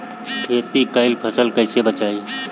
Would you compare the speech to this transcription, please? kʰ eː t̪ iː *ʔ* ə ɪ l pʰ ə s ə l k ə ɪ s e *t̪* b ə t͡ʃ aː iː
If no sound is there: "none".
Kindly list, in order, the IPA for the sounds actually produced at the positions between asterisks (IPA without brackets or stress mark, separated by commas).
k, none